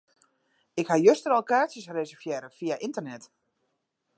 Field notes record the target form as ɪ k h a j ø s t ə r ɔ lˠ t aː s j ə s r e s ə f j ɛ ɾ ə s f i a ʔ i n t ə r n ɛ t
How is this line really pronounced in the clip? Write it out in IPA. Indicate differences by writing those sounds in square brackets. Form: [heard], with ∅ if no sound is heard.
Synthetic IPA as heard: ɪ k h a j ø s t ə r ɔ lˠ [k] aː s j ə s r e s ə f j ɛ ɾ ə [∅] f i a ʔ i n t ə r n ɛ t